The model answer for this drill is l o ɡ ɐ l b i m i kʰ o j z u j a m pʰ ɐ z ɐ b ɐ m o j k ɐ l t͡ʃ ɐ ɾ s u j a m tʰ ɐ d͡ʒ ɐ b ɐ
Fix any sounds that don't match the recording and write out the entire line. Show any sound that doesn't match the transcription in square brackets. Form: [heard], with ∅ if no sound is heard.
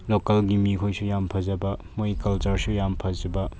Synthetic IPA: l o [k] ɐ l [ɡ] i m i kʰ o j [s] u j a m pʰ ɐ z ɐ b ɐ m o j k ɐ l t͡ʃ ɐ ɾ s u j a m [pʰ] ɐ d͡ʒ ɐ b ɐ